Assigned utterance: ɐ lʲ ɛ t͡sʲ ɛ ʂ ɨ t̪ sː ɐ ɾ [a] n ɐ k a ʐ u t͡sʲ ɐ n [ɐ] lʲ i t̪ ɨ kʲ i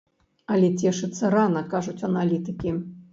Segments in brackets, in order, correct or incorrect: correct, incorrect

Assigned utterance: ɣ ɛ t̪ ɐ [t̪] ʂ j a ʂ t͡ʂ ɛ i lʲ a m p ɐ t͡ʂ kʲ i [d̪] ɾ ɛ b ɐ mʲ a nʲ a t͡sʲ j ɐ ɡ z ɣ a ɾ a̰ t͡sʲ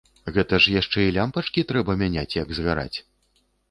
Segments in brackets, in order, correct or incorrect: incorrect, incorrect

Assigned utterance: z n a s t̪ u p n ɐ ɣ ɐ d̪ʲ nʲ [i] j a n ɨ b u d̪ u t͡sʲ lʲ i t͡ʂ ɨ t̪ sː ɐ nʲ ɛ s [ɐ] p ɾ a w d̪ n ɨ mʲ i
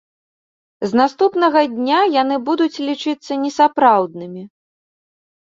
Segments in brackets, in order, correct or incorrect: incorrect, incorrect

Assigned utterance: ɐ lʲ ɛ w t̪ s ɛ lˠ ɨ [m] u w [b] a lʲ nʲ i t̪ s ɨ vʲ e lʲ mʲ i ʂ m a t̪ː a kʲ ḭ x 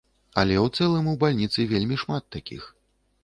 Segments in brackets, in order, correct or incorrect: correct, correct

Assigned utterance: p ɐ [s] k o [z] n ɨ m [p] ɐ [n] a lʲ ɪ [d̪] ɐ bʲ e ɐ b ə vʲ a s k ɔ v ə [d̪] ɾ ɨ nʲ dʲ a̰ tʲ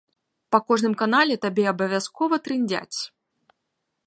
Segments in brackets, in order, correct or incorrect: incorrect, incorrect, incorrect, correct, incorrect, incorrect

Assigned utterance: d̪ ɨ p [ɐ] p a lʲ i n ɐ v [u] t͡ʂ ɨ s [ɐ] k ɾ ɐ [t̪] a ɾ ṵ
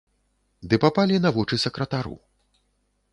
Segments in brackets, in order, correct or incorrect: incorrect, incorrect, correct, correct

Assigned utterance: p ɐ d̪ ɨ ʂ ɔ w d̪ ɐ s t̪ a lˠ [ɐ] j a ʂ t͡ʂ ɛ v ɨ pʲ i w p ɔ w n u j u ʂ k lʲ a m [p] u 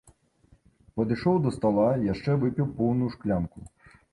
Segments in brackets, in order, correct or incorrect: incorrect, incorrect

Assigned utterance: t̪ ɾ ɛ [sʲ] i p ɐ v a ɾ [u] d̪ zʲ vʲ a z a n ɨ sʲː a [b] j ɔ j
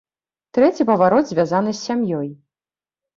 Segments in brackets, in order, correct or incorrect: incorrect, incorrect, incorrect

